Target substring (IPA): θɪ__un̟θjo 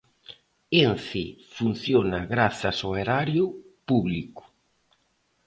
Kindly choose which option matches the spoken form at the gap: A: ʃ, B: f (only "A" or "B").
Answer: B